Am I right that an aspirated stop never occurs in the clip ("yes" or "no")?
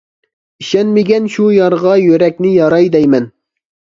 yes